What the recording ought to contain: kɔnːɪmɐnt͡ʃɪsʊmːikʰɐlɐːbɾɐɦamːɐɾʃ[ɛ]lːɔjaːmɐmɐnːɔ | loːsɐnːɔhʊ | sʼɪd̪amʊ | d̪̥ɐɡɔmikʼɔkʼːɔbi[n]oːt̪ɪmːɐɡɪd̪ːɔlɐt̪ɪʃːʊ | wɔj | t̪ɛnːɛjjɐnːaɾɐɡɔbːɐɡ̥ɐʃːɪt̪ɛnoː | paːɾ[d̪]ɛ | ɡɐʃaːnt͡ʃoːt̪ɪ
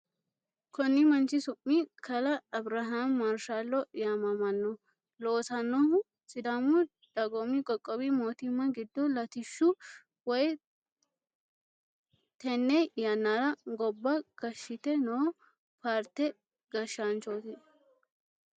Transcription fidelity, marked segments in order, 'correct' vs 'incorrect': incorrect: a, incorrect: m, incorrect: t̪

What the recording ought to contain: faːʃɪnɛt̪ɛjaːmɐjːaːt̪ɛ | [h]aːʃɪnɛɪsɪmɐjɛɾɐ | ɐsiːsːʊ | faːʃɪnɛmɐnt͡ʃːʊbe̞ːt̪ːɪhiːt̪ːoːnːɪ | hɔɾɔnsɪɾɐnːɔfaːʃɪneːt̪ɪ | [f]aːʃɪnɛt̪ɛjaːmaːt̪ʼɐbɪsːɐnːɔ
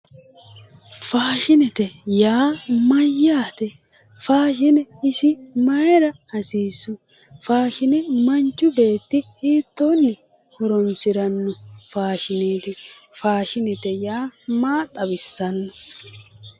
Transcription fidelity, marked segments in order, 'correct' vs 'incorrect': incorrect: f, correct

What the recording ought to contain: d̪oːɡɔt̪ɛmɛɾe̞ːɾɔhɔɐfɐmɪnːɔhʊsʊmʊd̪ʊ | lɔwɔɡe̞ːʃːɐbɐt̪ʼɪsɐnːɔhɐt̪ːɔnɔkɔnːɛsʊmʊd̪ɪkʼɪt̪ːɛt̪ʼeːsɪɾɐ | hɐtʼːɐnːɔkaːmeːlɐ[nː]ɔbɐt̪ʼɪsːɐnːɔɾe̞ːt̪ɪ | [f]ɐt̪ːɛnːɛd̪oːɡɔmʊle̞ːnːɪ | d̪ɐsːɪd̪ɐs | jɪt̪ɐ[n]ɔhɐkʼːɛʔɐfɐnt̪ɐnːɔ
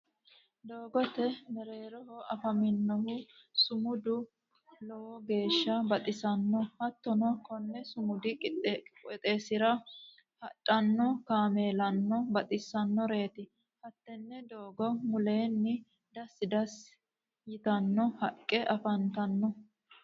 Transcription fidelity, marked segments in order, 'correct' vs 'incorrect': correct, incorrect: h, incorrect: nː

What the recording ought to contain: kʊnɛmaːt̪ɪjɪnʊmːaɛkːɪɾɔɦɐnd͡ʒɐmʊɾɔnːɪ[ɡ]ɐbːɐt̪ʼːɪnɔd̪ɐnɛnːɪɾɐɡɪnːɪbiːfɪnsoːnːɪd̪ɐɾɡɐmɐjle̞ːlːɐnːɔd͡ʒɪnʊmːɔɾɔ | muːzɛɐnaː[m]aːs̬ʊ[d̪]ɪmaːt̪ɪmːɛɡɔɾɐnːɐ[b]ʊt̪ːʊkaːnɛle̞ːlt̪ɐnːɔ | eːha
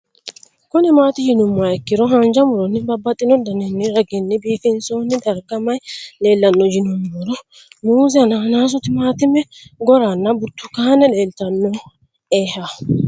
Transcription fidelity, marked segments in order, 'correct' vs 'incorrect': incorrect: b, incorrect: n, incorrect: t̪, correct

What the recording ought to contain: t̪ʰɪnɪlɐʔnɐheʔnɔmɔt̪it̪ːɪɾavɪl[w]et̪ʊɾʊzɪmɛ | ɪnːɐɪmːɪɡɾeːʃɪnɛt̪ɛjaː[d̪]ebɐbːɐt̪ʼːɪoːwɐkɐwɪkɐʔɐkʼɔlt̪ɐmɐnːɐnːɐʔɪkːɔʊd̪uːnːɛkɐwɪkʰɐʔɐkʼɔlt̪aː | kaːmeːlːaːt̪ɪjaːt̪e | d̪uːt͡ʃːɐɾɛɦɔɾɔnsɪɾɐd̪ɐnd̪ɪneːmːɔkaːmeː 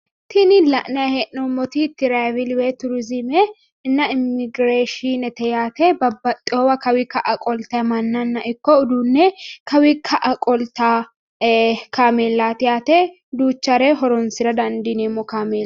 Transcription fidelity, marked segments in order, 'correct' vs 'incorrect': correct, incorrect: t̪

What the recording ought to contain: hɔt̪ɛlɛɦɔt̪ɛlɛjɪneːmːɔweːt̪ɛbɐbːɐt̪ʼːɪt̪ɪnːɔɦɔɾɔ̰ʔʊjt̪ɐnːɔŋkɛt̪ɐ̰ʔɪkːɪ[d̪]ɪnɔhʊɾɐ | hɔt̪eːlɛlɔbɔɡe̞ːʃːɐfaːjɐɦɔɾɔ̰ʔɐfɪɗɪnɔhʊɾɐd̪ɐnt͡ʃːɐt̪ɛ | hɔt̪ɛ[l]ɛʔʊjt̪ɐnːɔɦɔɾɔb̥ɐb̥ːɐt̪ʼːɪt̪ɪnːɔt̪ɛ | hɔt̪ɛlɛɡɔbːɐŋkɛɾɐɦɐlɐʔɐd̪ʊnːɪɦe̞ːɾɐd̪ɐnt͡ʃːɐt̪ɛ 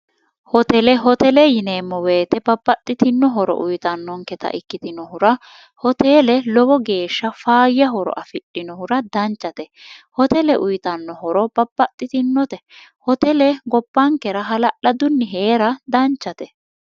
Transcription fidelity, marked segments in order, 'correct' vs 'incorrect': incorrect: t̪, correct

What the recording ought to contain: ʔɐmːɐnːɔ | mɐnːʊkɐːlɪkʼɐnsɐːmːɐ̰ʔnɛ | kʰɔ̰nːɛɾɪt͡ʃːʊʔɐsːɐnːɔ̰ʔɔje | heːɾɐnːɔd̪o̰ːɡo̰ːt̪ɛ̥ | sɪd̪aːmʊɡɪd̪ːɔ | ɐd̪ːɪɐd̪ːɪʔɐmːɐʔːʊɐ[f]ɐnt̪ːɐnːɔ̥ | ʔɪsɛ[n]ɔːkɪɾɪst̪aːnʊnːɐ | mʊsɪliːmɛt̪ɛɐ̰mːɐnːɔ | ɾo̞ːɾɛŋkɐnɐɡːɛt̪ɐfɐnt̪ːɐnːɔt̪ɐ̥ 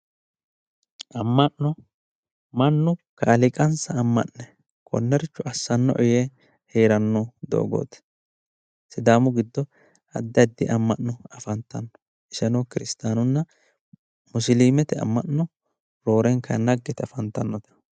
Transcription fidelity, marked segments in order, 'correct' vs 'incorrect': correct, correct

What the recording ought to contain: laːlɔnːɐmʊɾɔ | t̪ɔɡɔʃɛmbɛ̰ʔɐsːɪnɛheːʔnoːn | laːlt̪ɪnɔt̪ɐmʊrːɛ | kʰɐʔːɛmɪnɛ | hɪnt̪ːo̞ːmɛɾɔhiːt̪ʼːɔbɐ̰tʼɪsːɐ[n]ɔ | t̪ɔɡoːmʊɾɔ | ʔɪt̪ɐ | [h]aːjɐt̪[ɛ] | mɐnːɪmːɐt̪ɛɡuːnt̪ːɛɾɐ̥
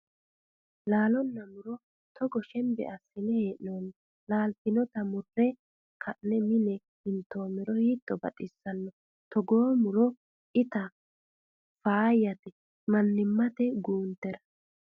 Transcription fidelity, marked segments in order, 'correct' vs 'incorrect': incorrect: nː, incorrect: f, correct

